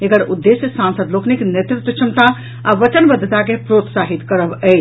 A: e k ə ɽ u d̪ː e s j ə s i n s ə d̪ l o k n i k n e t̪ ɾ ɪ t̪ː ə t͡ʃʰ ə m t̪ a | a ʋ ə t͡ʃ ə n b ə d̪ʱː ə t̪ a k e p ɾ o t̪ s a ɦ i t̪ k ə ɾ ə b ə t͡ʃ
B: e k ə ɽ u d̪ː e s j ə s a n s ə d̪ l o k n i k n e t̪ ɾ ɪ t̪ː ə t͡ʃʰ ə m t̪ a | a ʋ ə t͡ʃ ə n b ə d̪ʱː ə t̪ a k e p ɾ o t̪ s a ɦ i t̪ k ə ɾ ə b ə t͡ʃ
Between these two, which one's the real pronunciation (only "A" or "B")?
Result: B